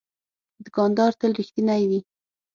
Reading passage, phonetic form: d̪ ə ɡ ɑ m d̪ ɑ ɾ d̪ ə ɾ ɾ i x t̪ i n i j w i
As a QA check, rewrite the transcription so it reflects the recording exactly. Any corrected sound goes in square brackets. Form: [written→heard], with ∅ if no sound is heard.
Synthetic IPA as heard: d̪ ə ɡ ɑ [m→n] d̪ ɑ ɾ [d̪→t̪] ə [ɾ→l] ɾ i x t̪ i n [i→a] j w i